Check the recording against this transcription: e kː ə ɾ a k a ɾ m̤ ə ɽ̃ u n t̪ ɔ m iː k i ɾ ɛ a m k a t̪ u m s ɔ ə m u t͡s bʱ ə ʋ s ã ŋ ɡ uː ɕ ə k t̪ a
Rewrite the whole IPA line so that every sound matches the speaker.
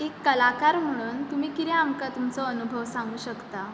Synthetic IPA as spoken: e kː ə l a k a ɾ m̤ ə ɽ̃ uː n t̪ u m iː k i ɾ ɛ a m k a t̪ u m t͡s ɔ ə n u bʱ ə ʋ s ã ŋ ɡ uː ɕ ə k t̪ a